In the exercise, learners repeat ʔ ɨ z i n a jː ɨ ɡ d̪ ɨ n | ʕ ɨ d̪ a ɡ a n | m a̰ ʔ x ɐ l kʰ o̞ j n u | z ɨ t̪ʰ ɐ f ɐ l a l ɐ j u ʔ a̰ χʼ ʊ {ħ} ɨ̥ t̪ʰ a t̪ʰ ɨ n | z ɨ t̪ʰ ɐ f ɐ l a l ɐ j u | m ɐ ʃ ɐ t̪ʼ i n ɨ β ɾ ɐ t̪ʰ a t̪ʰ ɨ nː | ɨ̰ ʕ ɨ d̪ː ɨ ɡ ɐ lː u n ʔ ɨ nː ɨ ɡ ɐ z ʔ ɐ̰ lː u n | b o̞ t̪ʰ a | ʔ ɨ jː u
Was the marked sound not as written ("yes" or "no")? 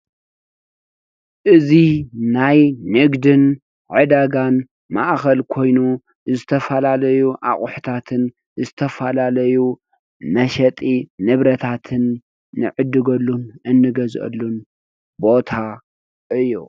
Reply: no